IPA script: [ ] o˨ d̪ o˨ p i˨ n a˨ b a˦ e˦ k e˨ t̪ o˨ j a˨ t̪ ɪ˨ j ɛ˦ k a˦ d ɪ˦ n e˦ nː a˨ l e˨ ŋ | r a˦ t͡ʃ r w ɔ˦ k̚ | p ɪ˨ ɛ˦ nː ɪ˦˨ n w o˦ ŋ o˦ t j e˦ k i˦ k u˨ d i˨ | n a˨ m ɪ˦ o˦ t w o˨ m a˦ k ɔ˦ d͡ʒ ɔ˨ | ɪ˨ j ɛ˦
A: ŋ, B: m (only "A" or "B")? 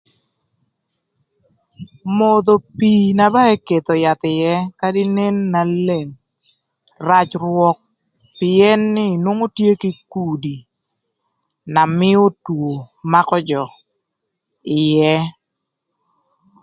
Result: B